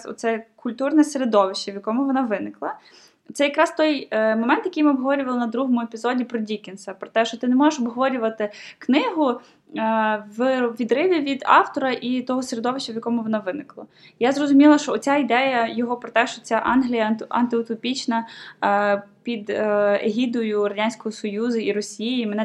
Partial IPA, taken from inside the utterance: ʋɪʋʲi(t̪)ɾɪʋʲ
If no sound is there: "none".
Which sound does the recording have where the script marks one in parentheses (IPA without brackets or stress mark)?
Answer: d̪